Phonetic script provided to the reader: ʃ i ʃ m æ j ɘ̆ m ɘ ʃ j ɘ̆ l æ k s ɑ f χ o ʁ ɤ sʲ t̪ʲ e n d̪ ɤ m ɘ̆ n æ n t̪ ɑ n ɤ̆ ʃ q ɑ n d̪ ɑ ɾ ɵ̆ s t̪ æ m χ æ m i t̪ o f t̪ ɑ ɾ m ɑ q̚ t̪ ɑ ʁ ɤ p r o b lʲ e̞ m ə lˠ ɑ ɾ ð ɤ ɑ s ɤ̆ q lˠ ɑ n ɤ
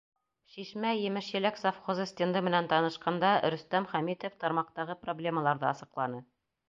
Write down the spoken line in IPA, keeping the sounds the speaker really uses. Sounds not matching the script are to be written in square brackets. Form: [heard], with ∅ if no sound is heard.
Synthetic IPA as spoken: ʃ i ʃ m æ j ɘ̆ m ɘ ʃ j ɘ̆ l æ k s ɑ f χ o [z] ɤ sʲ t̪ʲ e n d̪ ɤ m ɘ̆ n æ n t̪ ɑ n ɤ̆ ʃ q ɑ n d̪ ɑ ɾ ɵ̆ s t̪ æ m χ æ m i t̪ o f t̪ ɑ ɾ m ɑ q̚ t̪ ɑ ʁ ɤ p r o b lʲ e̞ m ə lˠ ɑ ɾ ð ɤ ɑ s ɤ̆ q lˠ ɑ n ɤ